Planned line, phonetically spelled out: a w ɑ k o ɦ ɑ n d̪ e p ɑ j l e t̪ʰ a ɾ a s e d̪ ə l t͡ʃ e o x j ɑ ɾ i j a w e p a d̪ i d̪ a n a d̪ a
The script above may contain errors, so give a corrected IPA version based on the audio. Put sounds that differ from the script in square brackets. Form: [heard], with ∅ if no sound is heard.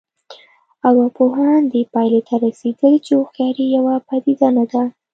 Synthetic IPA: a w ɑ [p] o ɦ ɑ n d̪ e p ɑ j l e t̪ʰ a ɾ a s e d̪ ə l t͡ʃ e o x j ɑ ɾ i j a w [a] p a d̪ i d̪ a n a d̪ a